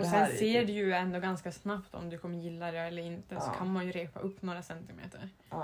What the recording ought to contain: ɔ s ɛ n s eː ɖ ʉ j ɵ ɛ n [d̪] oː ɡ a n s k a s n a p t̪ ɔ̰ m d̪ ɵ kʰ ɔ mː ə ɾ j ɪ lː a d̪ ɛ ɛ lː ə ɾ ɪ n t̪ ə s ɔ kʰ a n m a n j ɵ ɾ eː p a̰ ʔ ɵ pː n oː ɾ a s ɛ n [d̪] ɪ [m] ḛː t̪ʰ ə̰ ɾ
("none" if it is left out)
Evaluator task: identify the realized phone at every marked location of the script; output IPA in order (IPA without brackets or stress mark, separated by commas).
d̪, t̪, m